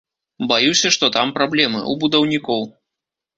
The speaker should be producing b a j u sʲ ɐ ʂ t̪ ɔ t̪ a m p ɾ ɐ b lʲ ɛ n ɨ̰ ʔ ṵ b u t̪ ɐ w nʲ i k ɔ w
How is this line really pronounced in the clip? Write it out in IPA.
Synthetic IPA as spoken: b a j u sʲ ɐ ʂ t̪ ɔ t̪ a m p ɾ a b lʲ ɛ m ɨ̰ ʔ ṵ b u d̪ ɐ w nʲ i k ɔ w

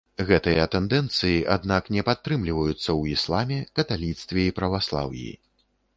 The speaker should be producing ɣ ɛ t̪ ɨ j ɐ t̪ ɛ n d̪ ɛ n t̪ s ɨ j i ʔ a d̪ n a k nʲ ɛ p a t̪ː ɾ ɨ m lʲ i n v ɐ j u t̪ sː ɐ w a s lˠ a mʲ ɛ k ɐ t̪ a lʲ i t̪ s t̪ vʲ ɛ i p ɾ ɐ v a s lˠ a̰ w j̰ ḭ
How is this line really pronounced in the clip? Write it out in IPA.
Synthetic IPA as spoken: ɣ ɛ t̪ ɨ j ɐ t̪ ɛ n d̪ ɛ n t̪ s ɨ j i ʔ a d̪ n a k nʲ ɛ p a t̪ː ɾ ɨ m lʲ i v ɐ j u t̪ sː ɐ w i s lˠ a mʲ ɛ k ɐ t̪ a lʲ i t̪ s t̪ vʲ ɛ i p ɾ ɐ v a s lˠ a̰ w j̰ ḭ

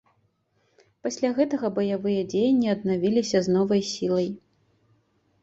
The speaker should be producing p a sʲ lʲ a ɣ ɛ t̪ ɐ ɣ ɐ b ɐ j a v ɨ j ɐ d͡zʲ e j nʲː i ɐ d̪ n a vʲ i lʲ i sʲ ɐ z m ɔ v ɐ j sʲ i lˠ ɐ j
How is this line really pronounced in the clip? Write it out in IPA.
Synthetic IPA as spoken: p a sʲ lʲ a ɣ ɛ t̪ ɐ ɣ ɐ b ɐ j a v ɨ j ɐ d͡zʲ e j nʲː i ɐ d̪ n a vʲ i lʲ i sʲ ɐ z n ɔ v ɐ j sʲ i lˠ ɐ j

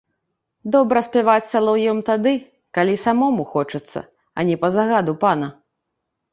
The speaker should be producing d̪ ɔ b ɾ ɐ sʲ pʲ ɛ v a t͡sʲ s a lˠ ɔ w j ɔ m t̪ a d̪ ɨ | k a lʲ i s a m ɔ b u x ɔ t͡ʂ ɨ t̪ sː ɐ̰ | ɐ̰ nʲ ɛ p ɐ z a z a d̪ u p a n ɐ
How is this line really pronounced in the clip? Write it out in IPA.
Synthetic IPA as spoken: d̪ ɔ b ɾ ɐ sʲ pʲ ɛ v a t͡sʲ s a lˠ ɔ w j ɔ m t̪ a d̪ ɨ | k a lʲ i s a m ɔ m u x ɔ t͡ʂ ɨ t̪ sː ɐ̰ | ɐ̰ nʲ ɛ p ɐ z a ɣ a d̪ u p a n ɐ

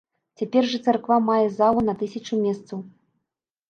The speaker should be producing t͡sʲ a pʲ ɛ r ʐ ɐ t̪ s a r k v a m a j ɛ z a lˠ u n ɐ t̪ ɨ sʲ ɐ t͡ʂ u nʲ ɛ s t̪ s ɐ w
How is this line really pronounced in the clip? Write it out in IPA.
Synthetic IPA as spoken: t͡sʲ a pʲ ɛ r ʐ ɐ t̪ s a r k v a m a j ɛ z a lˠ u n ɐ t̪ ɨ sʲ ɐ t͡ʂ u mʲ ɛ s t̪ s ɐ w

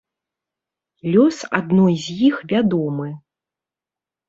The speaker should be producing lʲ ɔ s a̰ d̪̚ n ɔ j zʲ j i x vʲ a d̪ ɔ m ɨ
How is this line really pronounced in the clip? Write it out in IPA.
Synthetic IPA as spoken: lʲ ɔ s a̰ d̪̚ n ɔ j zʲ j i x vʲ a d̪ ɔ m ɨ

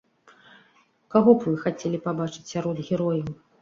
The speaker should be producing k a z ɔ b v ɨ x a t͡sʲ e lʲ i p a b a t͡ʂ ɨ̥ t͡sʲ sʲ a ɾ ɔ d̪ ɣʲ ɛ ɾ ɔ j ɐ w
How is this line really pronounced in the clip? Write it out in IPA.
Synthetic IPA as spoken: k a ɣ ɔ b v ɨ x a t͡sʲ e lʲ i p a b a t͡ʂ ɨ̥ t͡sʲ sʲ a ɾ ɔ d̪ ɣʲ ɛ ɾ ɔ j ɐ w

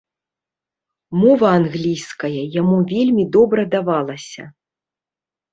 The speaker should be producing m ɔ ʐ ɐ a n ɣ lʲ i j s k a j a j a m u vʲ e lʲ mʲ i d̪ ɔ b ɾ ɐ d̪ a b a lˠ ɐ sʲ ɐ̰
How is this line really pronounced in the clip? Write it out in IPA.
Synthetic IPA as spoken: m ɔ v ɐ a n ɣ lʲ i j s k ɐ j ɐ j a m u vʲ e lʲ mʲ i d̪ ɔ b ɾ ɐ d̪ a v a lˠ ɐ sʲ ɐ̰

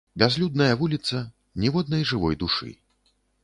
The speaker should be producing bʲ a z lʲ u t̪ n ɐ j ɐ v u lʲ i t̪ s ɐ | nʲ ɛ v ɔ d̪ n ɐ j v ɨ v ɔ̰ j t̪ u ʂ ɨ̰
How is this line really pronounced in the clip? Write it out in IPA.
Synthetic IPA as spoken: bʲ a z lʲ u d̪ n ɐ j ɐ v u lʲ i t̪ s ɐ | nʲ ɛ v ɔ d̪ n ɐ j ʐ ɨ v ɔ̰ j d̪ u ʂ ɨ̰

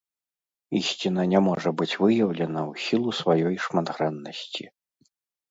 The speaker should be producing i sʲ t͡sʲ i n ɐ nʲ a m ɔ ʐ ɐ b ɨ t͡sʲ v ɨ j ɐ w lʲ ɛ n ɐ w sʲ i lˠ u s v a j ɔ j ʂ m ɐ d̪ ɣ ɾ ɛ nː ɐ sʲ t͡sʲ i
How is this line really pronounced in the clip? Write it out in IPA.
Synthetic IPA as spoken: i sʲ t͡sʲ i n ɐ nʲ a m ɔ ʐ ɐ b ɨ t͡sʲ v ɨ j ɐ w lʲ ɛ n ɐ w sʲ i lˠ u s v a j ɔ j ʂ m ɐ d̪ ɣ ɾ ɛ nː ɐ sʲ t͡sʲ i

